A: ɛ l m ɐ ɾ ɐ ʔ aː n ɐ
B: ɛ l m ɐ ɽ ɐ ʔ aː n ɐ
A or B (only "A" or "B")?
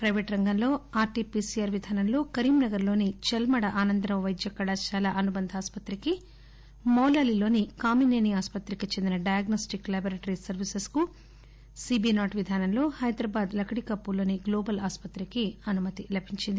B